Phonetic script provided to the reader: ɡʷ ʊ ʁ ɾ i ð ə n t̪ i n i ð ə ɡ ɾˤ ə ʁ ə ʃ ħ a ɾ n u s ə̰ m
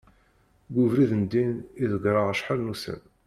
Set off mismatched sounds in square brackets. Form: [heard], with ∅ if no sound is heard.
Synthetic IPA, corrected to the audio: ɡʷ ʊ [v] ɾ i ð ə n [d̪] i n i ð ə ɡ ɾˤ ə ʁ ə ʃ ħ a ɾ n u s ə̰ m